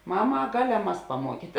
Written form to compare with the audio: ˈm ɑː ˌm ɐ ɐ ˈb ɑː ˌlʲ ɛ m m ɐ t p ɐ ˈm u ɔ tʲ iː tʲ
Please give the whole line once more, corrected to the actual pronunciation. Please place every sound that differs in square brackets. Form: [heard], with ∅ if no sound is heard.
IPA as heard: ˈm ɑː ˌm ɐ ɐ [ˈɡ] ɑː ˌlʲ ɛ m m ɐ [s] p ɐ ˈm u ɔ [kʲ] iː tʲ